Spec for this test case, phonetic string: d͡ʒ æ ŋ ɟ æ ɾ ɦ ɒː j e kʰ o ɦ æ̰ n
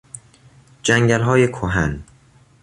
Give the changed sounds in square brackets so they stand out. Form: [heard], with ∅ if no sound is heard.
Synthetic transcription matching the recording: d͡ʒ æ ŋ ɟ æ [l] ɦ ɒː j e kʰ o ɦ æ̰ n